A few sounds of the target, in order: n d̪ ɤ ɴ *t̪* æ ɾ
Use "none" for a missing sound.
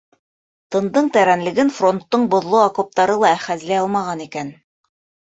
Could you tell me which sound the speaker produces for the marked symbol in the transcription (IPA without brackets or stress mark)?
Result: t̪